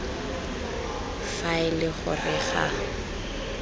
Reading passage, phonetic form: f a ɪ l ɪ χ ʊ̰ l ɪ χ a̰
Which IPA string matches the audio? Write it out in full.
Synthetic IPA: f a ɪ l ɪ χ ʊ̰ r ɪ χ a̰